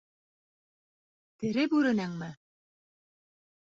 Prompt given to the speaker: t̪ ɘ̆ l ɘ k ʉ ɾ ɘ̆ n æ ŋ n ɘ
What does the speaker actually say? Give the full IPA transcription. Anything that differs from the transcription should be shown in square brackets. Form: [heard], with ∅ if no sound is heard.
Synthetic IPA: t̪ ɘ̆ [ɾ] ɘ [p] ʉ ɾ ɘ̆ n æ ŋ [m] ɘ